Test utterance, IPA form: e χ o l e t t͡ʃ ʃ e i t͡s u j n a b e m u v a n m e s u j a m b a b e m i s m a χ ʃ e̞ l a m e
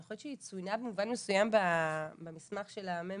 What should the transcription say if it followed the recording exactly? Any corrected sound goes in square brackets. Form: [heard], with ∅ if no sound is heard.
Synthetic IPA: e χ o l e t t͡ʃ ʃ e i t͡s u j n a b e m u v a n m e s u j a m b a b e m i s m a χ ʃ e̞ l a m e